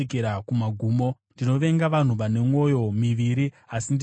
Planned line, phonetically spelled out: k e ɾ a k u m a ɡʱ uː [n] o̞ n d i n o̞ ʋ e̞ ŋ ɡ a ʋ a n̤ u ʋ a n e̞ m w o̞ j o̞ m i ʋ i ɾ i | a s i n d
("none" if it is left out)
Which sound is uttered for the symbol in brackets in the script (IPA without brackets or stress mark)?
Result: m